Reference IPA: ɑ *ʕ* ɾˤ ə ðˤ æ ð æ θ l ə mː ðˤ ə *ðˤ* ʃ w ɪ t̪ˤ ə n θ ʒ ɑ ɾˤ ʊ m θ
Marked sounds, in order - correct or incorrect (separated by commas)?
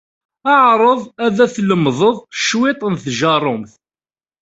correct, correct